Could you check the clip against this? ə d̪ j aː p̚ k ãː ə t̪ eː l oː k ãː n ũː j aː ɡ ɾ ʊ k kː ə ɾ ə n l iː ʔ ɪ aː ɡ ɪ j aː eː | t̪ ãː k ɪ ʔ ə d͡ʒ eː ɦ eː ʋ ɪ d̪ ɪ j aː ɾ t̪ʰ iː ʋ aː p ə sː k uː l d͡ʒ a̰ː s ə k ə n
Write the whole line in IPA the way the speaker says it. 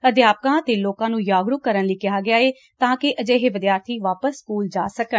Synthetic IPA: ə d̪ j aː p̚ k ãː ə t̪ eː l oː k ãː n ũː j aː ɡ ɾ ʊ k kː ə ɾ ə n l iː k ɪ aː ɡ ɪ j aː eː | t̪ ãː k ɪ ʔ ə d͡ʒ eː ɦ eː ʋ ɪ d̪ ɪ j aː ɾ t̪ʰ iː ʋ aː p ə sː k uː l d͡ʒ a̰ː s ə k ə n